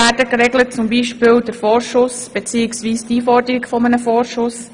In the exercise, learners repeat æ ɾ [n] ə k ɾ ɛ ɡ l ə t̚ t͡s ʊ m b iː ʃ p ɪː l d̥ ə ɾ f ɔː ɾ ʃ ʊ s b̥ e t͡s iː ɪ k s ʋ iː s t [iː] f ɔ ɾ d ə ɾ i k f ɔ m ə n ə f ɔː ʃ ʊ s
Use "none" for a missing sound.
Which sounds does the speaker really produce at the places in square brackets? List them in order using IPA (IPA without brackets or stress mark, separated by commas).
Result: d, iː